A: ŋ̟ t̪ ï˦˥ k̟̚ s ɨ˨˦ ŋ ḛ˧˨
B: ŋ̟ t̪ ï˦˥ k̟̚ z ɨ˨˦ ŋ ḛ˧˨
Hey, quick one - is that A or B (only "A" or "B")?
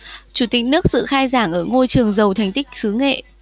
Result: A